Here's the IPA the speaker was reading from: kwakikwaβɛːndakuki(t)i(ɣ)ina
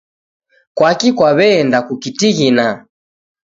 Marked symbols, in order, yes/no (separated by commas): yes, yes